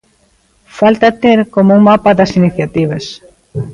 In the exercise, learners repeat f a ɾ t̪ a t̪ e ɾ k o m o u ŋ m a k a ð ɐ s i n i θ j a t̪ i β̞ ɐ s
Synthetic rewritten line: f a l t̪ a t̪ e ɾ k o m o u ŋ m a p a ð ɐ s i n i θ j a t̪ i β̞ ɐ s